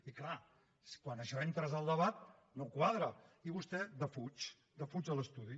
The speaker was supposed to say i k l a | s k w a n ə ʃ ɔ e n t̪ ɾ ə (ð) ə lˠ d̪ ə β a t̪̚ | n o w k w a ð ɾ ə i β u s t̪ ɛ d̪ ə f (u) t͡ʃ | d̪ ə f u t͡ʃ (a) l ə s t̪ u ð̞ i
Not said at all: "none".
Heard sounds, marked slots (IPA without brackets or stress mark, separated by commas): z, u, ə